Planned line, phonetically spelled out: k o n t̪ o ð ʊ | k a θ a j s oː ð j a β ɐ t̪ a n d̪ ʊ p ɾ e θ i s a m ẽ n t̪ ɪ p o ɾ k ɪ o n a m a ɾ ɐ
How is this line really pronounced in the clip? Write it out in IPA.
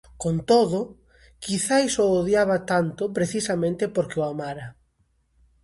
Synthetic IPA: k o n t̪ o ð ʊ | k i θ a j s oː ð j a β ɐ t̪ a n t̪ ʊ p ɾ e θ i s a m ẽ n t̪ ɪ p o ɾ k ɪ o a m a ɾ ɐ